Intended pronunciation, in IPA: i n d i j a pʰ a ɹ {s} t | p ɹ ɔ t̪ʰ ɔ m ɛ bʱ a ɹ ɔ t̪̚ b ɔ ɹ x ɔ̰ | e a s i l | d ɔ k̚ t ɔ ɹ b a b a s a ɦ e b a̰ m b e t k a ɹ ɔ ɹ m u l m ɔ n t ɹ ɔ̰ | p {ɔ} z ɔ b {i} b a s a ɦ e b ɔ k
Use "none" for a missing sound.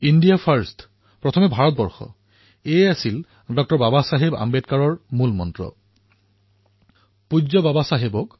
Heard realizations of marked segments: s, u, a

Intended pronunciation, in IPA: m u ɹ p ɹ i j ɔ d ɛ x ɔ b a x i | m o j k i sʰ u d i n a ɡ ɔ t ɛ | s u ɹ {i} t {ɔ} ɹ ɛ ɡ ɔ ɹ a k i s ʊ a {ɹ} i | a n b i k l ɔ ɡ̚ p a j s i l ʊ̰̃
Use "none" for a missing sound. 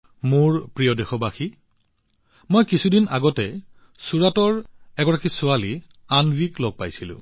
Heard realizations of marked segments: a, ɔ, l

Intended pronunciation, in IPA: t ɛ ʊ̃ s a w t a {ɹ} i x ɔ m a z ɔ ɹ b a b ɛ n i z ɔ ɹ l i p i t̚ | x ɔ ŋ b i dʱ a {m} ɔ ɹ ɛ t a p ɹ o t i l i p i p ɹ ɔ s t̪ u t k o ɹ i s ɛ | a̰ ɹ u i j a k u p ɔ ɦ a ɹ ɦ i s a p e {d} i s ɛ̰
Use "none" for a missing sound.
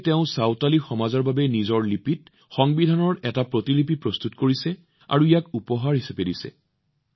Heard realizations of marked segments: l, n, d

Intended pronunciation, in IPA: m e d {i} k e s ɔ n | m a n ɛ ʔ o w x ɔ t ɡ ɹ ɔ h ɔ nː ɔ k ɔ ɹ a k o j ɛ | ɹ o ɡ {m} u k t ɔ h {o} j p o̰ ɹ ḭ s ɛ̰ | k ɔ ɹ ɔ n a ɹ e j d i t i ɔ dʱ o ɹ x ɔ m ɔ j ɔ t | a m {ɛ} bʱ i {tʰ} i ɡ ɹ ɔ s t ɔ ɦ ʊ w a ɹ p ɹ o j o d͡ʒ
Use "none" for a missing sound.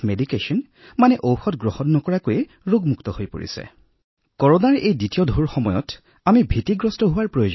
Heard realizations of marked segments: i, m, o, i, t

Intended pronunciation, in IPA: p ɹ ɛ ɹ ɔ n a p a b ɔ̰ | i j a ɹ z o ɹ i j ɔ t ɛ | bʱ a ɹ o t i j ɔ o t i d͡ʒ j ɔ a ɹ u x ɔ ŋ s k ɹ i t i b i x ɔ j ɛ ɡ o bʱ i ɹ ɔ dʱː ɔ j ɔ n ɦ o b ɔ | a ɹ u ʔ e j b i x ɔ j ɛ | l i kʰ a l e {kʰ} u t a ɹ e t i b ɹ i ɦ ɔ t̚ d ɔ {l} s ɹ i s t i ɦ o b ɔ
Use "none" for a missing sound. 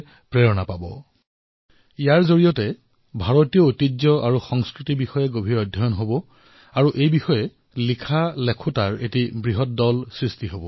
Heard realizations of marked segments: kʰ, l

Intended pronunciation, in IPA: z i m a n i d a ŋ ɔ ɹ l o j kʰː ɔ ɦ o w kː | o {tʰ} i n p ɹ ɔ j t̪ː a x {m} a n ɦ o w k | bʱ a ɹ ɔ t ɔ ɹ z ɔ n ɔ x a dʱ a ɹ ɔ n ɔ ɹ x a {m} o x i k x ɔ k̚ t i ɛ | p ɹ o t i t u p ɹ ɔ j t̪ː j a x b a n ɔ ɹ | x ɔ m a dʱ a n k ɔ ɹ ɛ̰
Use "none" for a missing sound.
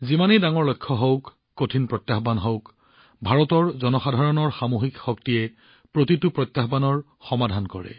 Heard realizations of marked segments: tʰ, b, m

